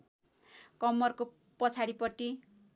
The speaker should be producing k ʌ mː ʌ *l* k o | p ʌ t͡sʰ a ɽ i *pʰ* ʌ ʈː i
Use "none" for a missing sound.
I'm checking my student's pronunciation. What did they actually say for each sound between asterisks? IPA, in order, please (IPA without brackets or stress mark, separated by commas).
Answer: r, p